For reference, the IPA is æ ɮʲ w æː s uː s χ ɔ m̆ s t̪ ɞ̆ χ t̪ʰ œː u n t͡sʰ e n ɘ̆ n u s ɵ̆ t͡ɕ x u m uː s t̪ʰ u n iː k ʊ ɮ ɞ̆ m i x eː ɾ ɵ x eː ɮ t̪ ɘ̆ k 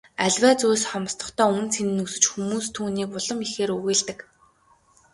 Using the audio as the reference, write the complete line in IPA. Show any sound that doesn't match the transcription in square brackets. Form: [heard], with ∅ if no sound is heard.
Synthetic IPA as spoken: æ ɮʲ w æː [t͡s] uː s χ ɔ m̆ s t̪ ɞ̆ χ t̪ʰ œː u n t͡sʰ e n ɘ̆ n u s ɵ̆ t͡ɕ x u m uː s t̪ʰ [uː] n iː k ʊ ɮ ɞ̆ m i x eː ɾ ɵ [ɣ] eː ɮ t̪ ɘ̆ k